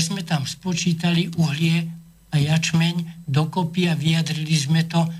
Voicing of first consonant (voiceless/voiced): voiced